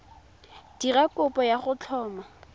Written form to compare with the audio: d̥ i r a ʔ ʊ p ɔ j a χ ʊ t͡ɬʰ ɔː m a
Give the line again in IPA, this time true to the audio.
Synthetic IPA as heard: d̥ i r a k ʊ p ɔ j a χ ʊ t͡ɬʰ ɔː m a